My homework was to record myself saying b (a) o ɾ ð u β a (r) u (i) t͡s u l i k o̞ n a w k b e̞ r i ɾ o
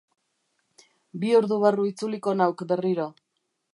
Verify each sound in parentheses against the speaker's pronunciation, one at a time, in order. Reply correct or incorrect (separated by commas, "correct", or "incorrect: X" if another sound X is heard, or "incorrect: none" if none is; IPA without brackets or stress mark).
incorrect: i, correct, correct